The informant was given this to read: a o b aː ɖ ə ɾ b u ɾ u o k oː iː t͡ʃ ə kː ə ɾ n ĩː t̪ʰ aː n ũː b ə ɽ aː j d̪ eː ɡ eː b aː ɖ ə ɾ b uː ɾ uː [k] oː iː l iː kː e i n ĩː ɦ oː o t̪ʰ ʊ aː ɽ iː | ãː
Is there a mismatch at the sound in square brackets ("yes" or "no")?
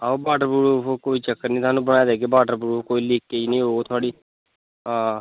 no